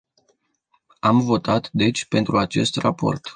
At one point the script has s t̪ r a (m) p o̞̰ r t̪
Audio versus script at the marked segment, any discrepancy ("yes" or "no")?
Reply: yes